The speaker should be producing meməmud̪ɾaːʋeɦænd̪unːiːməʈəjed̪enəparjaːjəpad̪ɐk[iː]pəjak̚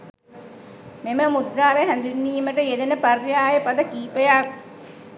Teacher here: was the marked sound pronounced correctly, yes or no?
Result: yes